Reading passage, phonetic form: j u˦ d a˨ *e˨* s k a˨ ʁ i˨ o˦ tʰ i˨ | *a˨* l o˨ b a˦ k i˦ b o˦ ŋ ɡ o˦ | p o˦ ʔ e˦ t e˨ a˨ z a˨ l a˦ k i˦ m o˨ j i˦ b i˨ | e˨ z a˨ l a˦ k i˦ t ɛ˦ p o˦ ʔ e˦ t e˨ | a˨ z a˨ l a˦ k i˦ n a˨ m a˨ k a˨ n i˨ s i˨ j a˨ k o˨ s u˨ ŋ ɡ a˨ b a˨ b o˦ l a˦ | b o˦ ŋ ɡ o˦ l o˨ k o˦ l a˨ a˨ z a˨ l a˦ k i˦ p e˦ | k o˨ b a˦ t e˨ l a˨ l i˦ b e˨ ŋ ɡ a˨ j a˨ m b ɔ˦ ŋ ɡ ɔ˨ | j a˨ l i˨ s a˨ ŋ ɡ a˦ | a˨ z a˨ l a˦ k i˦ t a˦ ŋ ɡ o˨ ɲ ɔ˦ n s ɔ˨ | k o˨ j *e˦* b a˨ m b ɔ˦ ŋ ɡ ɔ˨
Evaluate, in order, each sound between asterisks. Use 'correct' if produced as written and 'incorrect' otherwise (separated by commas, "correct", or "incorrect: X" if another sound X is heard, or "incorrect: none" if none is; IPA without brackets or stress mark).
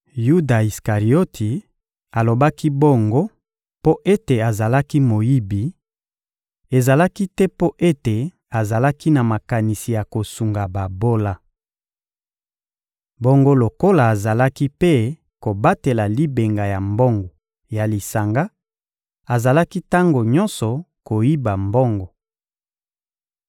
incorrect: i˨, correct, incorrect: i˦